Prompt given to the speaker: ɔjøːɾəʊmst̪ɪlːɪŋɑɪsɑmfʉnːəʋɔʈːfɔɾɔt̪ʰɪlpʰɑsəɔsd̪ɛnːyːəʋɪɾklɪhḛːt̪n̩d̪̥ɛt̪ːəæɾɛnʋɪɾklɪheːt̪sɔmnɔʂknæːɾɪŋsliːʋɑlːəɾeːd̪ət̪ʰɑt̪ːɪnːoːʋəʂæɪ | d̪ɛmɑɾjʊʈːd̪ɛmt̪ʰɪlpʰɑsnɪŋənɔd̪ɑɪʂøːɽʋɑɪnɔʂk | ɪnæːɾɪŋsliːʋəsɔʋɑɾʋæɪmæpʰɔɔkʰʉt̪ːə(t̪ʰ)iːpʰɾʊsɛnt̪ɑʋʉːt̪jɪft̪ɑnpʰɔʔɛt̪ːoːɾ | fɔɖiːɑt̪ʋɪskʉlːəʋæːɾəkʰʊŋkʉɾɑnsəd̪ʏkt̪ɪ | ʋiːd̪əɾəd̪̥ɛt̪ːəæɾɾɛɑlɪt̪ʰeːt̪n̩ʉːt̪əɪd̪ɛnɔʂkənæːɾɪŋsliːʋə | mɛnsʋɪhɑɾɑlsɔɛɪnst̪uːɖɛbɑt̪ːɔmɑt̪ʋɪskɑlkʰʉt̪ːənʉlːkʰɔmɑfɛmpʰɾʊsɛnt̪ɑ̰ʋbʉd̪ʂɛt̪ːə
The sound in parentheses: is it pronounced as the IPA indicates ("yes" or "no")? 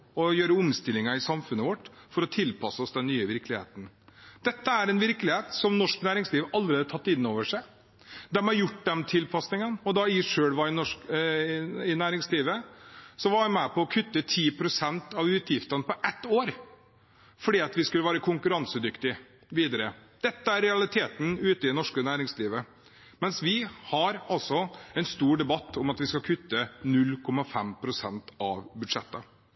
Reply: yes